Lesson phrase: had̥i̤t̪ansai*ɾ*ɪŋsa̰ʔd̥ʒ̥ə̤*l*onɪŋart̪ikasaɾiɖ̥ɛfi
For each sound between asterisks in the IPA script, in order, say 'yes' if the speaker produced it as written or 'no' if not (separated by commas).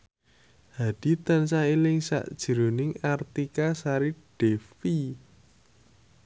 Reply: no, no